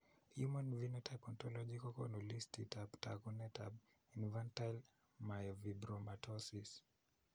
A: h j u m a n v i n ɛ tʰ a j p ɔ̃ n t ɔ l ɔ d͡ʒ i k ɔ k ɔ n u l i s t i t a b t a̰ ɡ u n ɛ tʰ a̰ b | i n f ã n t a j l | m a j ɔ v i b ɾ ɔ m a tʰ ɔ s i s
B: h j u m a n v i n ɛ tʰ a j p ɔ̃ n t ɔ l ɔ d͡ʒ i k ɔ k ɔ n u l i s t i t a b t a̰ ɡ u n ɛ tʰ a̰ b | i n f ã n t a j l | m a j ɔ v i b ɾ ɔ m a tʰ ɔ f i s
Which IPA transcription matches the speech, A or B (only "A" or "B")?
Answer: A